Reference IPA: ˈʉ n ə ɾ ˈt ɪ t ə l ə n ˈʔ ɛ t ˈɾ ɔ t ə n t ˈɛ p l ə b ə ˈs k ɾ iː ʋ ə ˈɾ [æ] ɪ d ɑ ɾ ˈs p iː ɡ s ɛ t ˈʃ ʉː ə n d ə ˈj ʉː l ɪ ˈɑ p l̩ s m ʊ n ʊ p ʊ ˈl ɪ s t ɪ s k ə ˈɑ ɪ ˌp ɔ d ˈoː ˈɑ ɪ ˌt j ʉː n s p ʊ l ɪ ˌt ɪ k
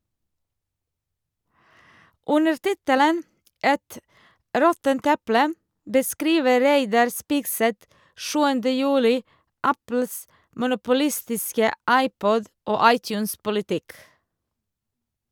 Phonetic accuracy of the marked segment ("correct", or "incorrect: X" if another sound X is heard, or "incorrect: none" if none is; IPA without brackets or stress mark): correct